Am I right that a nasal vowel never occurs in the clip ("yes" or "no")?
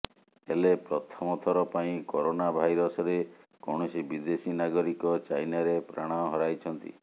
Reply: no